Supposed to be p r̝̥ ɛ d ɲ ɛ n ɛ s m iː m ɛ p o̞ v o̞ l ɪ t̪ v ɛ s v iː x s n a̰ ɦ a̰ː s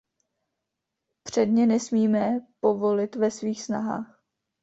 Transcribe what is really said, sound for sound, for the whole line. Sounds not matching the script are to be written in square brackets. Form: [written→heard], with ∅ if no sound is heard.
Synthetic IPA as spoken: p r̝̥ ɛ d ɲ ɛ n ɛ s m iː m ɛ p o̞ v o̞ l ɪ t̪ v ɛ s v iː x s n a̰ ɦ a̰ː [s→x]